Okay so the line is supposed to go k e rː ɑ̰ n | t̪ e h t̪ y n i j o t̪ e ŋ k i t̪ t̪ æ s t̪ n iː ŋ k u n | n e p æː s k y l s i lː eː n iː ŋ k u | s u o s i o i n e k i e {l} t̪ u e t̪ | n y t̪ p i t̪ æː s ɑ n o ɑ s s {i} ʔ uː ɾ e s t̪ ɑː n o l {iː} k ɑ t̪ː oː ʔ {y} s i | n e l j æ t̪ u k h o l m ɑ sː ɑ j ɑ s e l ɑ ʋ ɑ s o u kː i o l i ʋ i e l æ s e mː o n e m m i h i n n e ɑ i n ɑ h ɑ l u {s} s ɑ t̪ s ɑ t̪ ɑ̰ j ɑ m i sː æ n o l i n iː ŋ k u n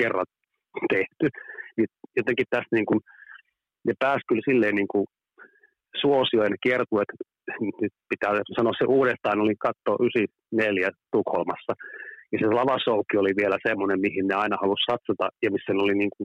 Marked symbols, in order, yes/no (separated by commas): no, no, no, yes, yes